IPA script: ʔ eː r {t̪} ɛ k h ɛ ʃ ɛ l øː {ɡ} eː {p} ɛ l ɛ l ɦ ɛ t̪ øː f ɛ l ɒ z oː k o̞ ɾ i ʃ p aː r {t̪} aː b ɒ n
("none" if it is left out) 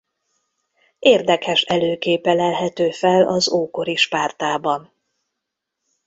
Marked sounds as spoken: d̪, k, p, t̪

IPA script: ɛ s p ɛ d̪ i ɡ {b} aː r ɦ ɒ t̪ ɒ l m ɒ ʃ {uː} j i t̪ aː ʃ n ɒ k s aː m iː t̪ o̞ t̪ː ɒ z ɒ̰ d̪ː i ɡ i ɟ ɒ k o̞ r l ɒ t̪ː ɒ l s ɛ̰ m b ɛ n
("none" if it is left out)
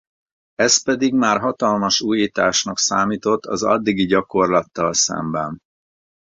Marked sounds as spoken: m, uː

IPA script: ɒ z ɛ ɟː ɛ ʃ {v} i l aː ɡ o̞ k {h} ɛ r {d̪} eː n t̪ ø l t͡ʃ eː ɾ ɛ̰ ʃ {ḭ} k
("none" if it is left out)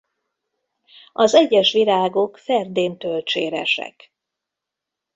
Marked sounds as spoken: ʋ, f, d̪, ɛ̰

